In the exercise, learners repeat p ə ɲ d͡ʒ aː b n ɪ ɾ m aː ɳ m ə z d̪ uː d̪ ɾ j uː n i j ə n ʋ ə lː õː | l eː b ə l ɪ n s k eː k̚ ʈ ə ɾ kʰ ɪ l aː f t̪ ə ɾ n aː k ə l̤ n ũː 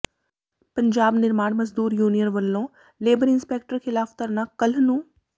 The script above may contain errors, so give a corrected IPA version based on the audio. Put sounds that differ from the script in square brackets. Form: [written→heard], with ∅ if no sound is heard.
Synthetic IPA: p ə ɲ d͡ʒ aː b n ɪ ɾ m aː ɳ m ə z d̪ uː [d̪→∅] ɾ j uː n i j ə n ʋ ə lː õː | l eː b ə [l→ɾ] ɪ n s [k→p] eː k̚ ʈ ə ɾ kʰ ɪ l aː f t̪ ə ɾ n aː k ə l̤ n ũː